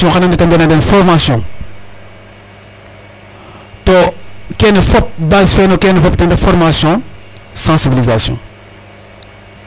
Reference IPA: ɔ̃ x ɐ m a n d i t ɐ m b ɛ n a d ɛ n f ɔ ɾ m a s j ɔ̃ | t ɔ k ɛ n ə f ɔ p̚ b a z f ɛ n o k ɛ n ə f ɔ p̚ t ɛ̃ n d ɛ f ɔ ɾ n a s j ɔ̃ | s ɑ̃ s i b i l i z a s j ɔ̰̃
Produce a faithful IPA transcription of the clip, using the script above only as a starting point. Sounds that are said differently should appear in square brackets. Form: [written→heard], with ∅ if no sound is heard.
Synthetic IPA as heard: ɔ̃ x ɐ [m→n] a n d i t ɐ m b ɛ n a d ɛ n f ɔ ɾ m a s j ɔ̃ | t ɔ k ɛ n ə f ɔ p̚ b a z f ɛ n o k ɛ n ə f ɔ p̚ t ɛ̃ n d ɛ f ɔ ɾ [n→m] a s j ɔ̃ | s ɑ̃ s i b i l i z a s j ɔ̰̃